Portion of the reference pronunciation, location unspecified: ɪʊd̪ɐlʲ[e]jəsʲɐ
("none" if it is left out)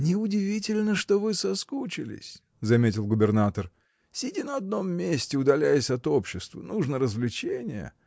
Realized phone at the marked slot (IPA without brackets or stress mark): æ